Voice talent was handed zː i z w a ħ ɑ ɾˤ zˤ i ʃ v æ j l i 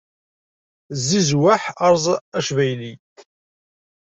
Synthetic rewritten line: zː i z w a ħ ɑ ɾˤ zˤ æ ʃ v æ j l i